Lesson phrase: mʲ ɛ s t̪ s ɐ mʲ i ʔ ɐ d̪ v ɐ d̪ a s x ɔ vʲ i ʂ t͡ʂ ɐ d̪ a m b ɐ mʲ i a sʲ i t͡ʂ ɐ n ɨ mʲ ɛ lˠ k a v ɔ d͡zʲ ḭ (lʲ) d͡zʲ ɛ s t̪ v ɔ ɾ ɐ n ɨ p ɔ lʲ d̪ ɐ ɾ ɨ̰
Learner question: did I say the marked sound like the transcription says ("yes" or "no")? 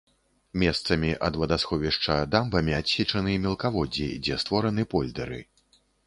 no